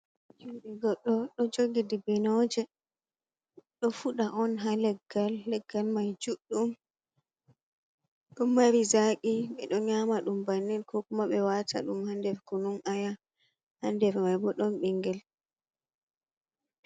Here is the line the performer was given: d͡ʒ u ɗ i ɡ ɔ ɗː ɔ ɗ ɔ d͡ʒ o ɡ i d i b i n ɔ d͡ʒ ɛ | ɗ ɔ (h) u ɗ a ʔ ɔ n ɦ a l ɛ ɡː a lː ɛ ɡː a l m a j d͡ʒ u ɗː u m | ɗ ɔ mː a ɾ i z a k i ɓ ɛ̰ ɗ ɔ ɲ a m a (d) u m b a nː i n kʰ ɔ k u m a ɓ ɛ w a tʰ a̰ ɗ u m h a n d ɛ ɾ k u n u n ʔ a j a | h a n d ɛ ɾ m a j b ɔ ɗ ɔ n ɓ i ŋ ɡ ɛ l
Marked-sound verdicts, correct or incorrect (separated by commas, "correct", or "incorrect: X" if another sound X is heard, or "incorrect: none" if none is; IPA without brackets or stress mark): incorrect: f, incorrect: ɗ